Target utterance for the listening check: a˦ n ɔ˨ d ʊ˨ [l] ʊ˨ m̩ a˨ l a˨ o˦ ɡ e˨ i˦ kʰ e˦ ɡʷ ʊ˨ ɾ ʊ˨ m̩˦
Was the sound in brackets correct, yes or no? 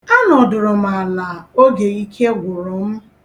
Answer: no